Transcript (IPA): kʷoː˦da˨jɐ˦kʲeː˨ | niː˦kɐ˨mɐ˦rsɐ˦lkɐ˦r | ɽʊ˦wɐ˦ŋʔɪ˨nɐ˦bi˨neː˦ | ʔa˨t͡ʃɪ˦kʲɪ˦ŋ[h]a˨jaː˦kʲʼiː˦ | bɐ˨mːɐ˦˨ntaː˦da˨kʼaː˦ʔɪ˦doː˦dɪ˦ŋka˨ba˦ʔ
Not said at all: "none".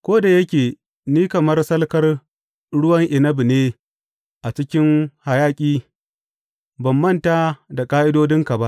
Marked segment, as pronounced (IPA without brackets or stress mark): h